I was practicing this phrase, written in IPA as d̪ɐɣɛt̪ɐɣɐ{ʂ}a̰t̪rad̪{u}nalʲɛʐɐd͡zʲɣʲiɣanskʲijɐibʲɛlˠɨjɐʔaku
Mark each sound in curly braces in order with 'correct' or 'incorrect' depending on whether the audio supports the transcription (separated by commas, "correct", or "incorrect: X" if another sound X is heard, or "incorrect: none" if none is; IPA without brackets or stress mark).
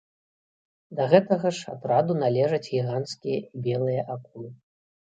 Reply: correct, correct